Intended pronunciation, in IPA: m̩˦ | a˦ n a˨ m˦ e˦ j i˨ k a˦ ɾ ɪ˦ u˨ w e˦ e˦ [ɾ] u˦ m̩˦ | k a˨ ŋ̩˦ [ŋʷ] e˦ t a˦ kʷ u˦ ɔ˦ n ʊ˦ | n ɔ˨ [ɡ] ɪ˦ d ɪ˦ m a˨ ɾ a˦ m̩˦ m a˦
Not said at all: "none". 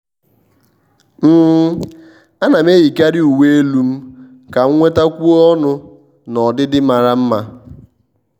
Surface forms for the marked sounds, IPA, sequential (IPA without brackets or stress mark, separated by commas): l, ŋʷ, d